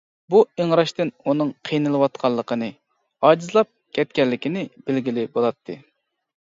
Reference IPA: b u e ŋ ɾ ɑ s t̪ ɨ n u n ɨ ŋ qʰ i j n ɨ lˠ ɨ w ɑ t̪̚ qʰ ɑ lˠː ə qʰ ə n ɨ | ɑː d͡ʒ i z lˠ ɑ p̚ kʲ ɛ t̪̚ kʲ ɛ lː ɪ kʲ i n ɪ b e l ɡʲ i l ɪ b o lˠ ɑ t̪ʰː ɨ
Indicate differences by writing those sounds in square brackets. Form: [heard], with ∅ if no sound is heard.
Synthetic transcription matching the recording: b u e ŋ ɾ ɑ [ʃ] t̪ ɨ n u n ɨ ŋ qʰ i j n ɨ lˠ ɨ w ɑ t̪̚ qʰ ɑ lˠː ə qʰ ə n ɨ | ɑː d͡ʒ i z lˠ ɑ p̚ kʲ ɛ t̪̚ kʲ ɛ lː ɪ kʲ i n ɪ b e l ɡʲ i l ɪ b o lˠ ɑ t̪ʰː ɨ